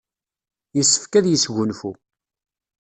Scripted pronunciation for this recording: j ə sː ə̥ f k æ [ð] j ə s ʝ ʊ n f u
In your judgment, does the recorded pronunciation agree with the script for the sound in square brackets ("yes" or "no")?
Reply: yes